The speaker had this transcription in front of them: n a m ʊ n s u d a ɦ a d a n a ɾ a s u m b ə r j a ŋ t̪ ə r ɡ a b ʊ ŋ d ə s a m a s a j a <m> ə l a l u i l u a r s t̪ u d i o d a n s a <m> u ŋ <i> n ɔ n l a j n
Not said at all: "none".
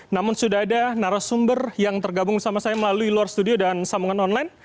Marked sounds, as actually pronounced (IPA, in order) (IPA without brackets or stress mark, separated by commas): m, m, a